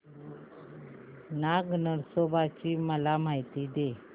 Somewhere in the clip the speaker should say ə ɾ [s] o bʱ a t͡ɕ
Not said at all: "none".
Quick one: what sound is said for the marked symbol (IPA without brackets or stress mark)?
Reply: s